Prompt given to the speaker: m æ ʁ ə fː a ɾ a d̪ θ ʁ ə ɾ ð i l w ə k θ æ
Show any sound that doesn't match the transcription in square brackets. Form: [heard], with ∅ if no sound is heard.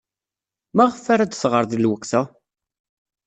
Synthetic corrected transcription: m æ ʁ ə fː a ɾ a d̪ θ ʁ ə ɾ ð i l w ə k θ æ